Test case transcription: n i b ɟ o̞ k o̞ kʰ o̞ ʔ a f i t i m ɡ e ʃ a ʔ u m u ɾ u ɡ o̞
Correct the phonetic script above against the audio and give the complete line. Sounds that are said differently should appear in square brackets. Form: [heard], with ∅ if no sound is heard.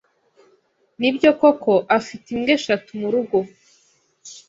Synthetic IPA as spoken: n i b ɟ o̞ k o̞ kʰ o̞ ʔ a f i t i m ɡ e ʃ a [t] u m u ɾ u ɡ o̞